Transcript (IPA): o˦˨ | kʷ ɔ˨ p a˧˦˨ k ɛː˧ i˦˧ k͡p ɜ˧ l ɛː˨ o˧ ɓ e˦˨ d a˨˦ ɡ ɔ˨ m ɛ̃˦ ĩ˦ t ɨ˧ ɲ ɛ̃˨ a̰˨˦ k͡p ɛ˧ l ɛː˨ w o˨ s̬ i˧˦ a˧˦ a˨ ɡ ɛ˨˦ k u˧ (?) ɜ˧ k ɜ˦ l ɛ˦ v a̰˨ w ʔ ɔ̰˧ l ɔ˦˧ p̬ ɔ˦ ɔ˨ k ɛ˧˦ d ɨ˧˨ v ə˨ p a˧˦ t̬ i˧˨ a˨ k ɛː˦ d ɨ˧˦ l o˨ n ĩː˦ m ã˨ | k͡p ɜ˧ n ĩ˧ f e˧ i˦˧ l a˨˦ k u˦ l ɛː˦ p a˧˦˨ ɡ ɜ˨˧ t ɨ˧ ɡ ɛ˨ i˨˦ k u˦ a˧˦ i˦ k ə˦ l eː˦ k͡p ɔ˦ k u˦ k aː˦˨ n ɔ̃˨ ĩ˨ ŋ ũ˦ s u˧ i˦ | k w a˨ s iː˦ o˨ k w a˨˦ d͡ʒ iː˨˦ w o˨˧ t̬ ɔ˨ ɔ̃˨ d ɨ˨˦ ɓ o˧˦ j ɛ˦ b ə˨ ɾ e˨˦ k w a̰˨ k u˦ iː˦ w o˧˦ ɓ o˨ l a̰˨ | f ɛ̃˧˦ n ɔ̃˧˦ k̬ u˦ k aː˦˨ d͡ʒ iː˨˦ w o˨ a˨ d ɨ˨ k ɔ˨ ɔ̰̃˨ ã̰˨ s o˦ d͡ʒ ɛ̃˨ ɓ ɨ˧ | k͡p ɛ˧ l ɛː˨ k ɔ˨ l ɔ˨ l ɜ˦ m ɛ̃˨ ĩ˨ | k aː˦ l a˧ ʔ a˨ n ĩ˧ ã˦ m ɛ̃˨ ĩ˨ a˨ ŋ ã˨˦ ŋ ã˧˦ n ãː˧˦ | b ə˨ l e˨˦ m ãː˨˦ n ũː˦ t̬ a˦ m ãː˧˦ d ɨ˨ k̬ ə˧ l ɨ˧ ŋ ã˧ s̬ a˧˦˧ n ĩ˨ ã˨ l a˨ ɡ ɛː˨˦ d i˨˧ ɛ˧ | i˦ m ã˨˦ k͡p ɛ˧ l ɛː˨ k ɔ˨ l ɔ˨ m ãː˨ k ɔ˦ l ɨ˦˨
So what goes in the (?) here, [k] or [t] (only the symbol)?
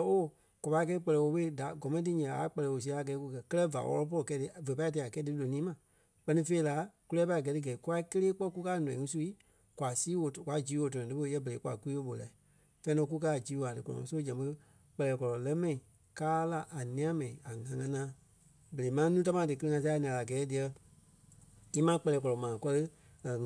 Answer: k